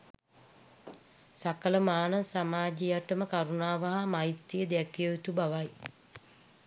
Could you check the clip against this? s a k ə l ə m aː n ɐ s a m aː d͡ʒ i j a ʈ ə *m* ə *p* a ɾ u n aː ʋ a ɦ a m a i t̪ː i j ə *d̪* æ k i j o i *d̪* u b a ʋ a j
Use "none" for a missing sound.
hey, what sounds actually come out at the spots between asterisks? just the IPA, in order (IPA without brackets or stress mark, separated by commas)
m, k, d̪, t̪